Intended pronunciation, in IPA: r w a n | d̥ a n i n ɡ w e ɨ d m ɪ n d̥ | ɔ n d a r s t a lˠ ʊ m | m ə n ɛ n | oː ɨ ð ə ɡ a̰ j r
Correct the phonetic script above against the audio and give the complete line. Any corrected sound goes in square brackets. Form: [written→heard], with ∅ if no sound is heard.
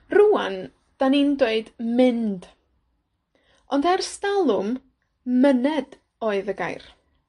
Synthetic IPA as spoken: r [w→u] a n | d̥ a n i n [ɡ→d] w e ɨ d m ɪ n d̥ | ɔ n d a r s t a lˠ ʊ m | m ə n ɛ [n→d] | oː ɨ ð ə ɡ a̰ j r